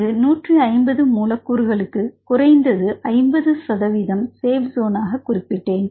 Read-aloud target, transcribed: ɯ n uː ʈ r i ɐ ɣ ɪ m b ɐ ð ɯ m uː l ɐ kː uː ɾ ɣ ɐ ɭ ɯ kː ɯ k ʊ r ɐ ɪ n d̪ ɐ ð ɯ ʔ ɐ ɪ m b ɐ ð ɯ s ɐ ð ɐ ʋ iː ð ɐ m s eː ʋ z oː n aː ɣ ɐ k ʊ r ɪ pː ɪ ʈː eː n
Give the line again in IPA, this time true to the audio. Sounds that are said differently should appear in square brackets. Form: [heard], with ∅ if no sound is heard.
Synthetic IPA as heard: ɯ n uː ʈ r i ɐ [∅] ɪ m b ɐ ð ɯ m uː l ɐ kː uː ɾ ɣ ɐ ɭ ɯ kː ɯ k ʊ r ɐ ɪ n d̪ ɐ ð ɯ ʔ ɐ ɪ m b ɐ ð ɯ s ɐ ð ɐ ʋ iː ð ɐ m s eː ʋ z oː n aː ɣ ɐ k ʊ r ɪ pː ɪ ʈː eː n

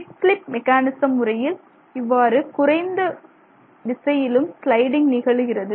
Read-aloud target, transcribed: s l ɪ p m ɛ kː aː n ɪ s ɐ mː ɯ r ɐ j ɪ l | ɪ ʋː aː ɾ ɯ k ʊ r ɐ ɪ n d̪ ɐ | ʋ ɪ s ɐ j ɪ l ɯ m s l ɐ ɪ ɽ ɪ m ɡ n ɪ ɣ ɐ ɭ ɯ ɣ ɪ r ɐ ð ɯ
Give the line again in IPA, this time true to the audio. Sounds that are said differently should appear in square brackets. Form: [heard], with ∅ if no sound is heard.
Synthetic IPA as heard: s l ɪ p m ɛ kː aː n ɪ s ɐ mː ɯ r ɐ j ɪ l | ɪ ʋː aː ɾ ɯ k ʊ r ɐ ɪ n d̪ ɐ | ʋ ɪ s ɐ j ɪ l ɯ m s l ɐ ɪ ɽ ɪ [ŋ] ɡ n ɪ ɣ ɐ ɭ ɯ ɣ ɪ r ɐ ð ɯ

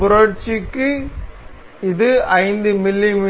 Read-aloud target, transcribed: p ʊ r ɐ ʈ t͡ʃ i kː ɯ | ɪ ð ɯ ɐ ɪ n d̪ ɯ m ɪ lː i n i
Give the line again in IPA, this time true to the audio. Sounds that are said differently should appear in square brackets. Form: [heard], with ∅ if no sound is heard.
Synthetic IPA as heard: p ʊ [ɾ] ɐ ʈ t͡ʃ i kː ɯ | ɪ ð ɯ ɐ ɪ n d̪ ɯ m ɪ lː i [m] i

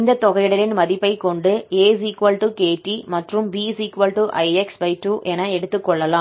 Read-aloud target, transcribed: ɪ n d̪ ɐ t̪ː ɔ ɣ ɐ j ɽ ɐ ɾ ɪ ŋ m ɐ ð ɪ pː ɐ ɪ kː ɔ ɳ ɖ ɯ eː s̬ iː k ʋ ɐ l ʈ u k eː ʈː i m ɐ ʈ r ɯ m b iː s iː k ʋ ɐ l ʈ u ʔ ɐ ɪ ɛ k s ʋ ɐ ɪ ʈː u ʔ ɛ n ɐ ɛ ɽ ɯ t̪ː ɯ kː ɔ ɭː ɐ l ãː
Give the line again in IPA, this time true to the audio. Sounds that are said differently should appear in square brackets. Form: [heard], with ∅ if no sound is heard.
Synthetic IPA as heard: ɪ n d̪ ɐ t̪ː ɔ ɣ ɐ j ɽ ɐ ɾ ɪ [n] m ɐ ð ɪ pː ɐ ɪ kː ɔ ɳ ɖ ɯ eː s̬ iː k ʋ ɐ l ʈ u k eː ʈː i m ɐ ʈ r ɯ m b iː s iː k ʋ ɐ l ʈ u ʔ ɐ ɪ ɛ k s ʋ ɐ ɪ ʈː u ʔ ɛ n ɐ ɛ ɽ ɯ t̪ː ɯ kː ɔ ɭː ɐ l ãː

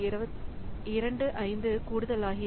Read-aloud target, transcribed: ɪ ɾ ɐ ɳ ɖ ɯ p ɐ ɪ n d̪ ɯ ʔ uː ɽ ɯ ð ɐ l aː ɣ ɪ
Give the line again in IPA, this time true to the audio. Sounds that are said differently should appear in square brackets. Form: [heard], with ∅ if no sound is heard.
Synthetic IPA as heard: ɪ ɾ ɐ ɳ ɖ ɯ [ʔ] ɐ ɪ n d̪ ɯ [k] uː ɽ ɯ ð ɐ l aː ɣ ɪ

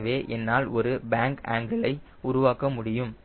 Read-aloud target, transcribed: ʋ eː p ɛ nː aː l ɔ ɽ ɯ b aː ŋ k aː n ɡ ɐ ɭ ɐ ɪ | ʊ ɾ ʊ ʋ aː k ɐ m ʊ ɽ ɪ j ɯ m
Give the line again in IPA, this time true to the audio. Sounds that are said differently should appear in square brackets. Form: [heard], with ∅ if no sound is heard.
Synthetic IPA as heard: ʋ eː [ʔ] ɛ nː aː l ɔ [ɾ] ɯ b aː ŋ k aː [ŋ] ɡ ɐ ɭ ɐ ɪ | ʊ ɾ ʊ ʋ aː k ɐ m ʊ ɽ ɪ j ɯ m

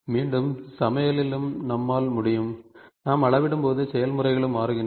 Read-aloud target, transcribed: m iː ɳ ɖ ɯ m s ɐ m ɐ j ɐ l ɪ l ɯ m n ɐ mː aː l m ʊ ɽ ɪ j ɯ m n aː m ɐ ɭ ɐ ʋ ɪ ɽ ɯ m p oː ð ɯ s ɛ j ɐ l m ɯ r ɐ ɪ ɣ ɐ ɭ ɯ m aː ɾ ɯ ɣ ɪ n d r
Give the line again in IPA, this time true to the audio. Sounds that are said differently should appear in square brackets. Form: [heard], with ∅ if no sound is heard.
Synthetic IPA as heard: m iː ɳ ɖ ɯ m s ɐ m ɐ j ɐ l ɪ l ɯ m n ɐ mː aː l m ʊ ɽ ɪ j ɯ m n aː m ɐ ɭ ɐ ʋ ɪ ɽ ɯ m p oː ð ɯ s ɛ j ɐ l m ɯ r ɐ ɪ ɣ ɐ ɭ ɯ m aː ɾ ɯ ɣ ɪ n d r

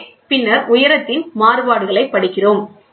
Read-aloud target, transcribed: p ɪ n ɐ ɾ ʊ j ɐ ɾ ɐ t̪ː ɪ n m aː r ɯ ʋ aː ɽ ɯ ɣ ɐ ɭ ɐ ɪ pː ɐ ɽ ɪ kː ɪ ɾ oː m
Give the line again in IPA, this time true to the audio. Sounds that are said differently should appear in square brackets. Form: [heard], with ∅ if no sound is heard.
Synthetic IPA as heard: p ɪ [nː] ɐ ɾ ʊ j ɐ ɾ ɐ t̪ː ɪ n m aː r ɯ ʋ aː ɽ ɯ ɣ ɐ ɭ ɐ ɪ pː ɐ ɽ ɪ kː ɪ [r] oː m

